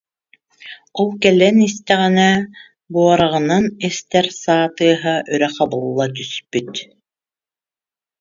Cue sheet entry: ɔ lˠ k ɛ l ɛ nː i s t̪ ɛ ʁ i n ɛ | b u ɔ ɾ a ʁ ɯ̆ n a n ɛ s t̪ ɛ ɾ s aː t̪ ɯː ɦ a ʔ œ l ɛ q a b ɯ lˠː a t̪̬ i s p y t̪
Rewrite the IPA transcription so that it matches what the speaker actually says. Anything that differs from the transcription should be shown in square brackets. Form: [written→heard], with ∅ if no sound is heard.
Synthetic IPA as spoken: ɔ lˠ k ɛ l ɛ [nː→n] i s t̪ ɛ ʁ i n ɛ | b u ɔ ɾ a ʁ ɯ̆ n a n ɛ s t̪ ɛ ɾ s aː t̪ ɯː ɦ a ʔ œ [l→ɾ] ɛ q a b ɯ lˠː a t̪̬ [i→y] s p y t̪